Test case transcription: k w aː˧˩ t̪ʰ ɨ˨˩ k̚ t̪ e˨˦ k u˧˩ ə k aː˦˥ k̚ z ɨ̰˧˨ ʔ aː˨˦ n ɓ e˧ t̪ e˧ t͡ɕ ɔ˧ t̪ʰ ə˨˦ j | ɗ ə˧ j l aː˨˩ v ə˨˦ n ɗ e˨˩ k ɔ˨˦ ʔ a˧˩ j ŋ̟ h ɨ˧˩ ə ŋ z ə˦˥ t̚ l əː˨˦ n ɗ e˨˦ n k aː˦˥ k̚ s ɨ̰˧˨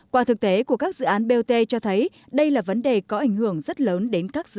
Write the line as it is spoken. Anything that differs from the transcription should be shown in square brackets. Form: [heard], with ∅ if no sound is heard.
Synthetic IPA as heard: k w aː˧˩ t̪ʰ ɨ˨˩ k̚ t̪ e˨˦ k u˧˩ ə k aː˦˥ k̚ z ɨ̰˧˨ ʔ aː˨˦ n ɓ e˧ t̪ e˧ t͡ɕ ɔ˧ t̪ʰ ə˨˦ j | ɗ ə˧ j l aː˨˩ v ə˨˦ n ɗ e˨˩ k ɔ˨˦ ʔ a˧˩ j ŋ̟ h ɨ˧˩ ə ŋ z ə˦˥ t̚ l əː˨˦ n ɗ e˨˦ n k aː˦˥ k̚ [z] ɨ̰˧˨